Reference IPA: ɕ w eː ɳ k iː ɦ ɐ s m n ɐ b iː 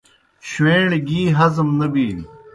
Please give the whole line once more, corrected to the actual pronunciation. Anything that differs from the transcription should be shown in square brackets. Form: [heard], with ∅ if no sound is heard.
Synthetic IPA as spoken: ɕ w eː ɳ [ɡ] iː ɦ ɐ [z] m n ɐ b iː